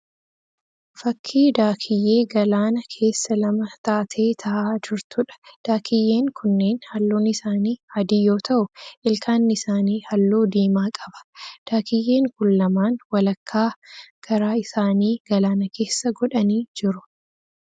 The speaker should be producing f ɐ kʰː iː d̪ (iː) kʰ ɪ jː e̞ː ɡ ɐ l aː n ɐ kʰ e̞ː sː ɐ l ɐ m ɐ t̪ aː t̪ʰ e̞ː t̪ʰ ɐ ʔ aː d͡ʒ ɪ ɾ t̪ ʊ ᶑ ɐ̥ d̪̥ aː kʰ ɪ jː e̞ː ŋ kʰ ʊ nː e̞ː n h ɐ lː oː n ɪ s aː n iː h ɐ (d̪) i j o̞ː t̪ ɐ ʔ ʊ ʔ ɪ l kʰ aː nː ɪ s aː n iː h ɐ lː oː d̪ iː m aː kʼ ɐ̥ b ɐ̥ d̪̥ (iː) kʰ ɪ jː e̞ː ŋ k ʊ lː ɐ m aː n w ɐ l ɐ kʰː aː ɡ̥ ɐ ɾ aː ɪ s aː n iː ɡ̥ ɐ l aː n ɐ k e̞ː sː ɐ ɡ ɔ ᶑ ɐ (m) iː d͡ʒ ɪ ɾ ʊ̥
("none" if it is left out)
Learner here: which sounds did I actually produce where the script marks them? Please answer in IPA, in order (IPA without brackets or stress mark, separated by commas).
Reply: aː, d̪, aː, n